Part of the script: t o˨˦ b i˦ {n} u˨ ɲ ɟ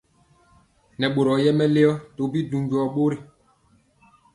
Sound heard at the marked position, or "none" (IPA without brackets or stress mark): d